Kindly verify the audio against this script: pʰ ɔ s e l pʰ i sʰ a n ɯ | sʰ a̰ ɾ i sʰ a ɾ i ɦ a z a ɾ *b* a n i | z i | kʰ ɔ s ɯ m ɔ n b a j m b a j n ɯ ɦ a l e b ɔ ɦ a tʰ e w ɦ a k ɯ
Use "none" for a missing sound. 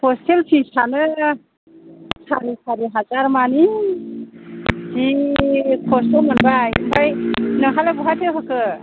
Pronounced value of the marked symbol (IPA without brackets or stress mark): m